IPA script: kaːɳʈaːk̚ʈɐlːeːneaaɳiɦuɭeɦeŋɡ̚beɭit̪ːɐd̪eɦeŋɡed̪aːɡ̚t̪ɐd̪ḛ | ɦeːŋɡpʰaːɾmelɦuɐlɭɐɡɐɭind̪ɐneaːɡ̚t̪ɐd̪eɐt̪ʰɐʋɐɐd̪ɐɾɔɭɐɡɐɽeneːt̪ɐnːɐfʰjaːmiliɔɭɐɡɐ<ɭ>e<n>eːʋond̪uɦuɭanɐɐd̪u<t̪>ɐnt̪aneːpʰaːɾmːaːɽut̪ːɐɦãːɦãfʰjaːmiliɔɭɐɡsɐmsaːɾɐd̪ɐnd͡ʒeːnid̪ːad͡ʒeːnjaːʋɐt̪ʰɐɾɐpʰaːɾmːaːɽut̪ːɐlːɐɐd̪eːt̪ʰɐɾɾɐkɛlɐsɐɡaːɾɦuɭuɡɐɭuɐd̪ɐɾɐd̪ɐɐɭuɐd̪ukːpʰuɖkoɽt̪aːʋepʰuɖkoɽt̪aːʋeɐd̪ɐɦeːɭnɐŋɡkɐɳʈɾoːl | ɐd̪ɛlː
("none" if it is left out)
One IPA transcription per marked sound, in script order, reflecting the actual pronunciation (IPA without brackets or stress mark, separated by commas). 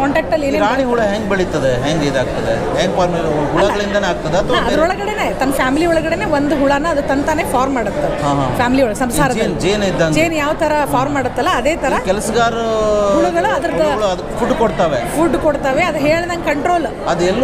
ɽ, n, t̪